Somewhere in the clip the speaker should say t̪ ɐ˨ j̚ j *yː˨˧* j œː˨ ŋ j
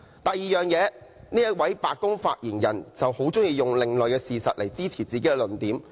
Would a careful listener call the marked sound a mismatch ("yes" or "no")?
yes